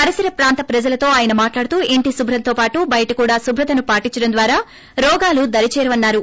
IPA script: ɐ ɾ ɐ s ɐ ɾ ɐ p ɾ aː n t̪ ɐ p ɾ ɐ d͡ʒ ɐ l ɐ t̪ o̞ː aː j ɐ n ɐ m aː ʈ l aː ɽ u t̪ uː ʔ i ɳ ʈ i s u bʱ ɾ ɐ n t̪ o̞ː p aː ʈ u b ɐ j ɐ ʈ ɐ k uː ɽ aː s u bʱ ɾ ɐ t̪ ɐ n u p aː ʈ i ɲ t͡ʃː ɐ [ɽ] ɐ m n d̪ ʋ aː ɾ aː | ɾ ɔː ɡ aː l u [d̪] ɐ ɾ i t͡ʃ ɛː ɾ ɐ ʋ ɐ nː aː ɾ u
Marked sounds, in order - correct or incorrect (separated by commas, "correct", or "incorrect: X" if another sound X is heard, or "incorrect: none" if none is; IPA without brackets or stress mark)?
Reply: correct, correct